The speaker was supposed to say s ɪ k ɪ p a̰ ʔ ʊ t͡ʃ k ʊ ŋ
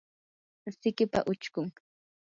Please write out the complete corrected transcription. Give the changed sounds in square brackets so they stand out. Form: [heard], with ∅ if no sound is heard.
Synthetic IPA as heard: s ɪ k ɪ p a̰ ʔ ʊ t͡ʃ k ʊ ŋ